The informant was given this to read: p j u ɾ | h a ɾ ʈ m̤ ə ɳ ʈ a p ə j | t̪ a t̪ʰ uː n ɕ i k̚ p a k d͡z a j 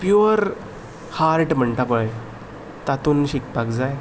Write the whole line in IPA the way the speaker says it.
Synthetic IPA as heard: p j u ɾ | h a ɾ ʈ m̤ ə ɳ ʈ a p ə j | t̪ a t̪ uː n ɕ i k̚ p a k d͡z a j